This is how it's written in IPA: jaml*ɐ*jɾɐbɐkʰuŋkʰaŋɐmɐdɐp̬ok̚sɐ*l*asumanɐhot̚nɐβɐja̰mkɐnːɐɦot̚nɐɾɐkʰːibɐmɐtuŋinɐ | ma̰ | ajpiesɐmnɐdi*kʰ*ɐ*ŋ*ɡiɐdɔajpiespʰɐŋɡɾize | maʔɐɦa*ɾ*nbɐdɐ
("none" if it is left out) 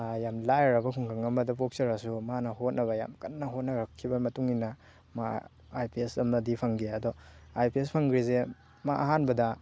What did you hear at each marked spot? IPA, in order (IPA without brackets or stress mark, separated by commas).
a, ɾ, pʰ, ŋ, none